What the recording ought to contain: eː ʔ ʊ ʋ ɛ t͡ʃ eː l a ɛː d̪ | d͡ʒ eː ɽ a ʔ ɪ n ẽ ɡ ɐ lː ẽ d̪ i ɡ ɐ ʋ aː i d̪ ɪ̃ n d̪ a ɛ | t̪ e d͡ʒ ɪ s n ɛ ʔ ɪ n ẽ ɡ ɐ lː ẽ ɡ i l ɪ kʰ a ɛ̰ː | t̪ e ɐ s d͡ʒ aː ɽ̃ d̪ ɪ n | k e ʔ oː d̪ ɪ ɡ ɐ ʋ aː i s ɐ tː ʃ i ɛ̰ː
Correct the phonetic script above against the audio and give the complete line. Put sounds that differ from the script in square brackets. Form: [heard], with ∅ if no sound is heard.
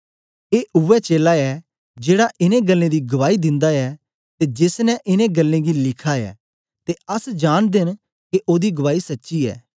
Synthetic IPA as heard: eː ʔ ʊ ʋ ɛ t͡ʃ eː l a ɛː [∅] | d͡ʒ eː ɽ a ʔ ɪ n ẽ ɡ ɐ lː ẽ d̪ i ɡ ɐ ʋ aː i d̪ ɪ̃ n d̪ a ɛ | t̪ e d͡ʒ ɪ s n ɛ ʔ ɪ n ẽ ɡ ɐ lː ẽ ɡ i l ɪ kʰ a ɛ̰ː | t̪ e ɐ s d͡ʒ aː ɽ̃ d̪ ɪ n | k e ʔ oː d̪ [i] ɡ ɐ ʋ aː i s ɐ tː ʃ i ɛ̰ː